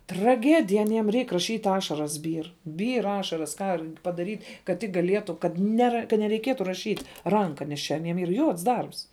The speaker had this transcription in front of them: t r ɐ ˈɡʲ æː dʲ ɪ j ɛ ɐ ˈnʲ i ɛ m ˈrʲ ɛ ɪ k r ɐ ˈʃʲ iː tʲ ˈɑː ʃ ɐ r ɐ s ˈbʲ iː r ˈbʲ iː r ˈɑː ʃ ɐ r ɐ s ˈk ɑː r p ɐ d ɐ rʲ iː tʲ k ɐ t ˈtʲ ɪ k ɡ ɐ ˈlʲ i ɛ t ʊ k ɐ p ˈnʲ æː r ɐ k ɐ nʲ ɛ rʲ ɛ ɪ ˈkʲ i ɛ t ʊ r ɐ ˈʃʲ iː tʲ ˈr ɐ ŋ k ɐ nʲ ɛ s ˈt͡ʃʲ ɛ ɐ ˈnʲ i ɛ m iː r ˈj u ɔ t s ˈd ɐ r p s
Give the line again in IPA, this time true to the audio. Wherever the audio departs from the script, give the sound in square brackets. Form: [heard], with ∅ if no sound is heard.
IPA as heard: t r ɐ ˈɡʲ æː dʲ ɪ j ɛ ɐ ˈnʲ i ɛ m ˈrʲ ɛ ɪ k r ɐ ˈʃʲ iː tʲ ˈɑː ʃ ɐ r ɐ s ˈbʲ iː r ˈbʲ iː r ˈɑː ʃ ɐ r ɐ s ˈk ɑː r p ɐ d ɐ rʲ iː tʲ k ɐ t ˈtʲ ɪ k ɡ ɐ ˈlʲ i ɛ t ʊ k ɐ [t] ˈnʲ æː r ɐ k ɐ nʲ ɛ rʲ ɛ ɪ ˈkʲ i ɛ t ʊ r ɐ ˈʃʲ iː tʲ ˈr ɐ ŋ k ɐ nʲ ɛ s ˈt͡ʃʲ ɛ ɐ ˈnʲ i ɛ m iː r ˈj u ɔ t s ˈd ɐ r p s